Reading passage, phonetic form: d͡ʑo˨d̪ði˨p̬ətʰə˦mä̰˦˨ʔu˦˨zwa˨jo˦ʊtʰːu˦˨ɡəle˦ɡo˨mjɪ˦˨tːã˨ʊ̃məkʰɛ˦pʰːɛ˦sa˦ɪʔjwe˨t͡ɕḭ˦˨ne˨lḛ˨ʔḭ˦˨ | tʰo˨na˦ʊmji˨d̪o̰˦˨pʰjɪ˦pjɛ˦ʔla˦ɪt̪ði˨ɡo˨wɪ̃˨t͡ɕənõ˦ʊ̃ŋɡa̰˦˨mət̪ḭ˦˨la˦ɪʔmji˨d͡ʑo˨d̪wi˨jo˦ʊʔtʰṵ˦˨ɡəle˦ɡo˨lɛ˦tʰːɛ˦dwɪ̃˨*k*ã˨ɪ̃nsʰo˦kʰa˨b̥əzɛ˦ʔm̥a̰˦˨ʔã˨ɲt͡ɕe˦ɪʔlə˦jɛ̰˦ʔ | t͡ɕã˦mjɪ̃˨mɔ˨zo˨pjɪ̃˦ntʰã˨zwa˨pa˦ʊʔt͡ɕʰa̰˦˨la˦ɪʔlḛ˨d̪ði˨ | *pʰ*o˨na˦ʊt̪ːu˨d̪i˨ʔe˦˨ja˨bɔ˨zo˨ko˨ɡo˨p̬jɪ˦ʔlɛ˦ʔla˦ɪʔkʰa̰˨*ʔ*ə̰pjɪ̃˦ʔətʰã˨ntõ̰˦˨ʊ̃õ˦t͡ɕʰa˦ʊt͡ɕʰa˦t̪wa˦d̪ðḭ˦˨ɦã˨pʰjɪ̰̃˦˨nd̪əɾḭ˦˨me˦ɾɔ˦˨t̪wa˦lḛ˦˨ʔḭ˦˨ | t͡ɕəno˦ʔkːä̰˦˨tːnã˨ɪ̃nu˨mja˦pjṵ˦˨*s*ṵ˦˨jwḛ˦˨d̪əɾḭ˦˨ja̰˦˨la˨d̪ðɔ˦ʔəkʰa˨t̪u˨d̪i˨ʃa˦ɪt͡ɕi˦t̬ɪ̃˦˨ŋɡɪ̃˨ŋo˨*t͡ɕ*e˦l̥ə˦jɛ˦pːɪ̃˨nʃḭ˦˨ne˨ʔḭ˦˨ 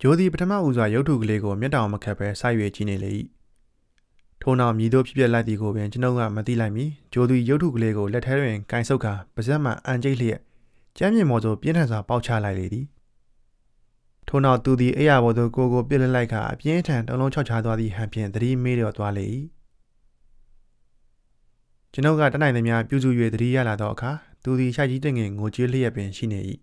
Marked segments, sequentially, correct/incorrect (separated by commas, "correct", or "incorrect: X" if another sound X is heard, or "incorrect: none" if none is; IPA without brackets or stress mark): correct, incorrect: tʰ, correct, incorrect: z, correct